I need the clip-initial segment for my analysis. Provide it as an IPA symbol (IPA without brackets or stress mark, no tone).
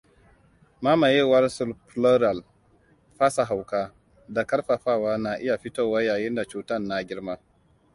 m